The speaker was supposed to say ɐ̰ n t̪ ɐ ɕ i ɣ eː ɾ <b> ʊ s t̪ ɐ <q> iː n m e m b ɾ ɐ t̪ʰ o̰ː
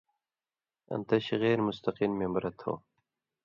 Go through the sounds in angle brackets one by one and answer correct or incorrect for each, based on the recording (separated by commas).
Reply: incorrect, correct